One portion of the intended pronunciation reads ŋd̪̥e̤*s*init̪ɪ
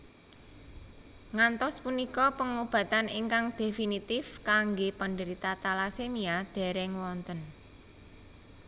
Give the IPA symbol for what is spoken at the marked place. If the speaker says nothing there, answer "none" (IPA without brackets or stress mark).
f